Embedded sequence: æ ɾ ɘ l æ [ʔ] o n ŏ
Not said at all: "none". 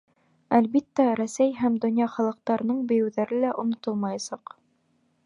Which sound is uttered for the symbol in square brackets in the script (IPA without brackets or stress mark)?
ʔ